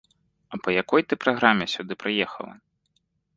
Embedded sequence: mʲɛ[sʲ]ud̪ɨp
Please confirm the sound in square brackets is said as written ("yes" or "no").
yes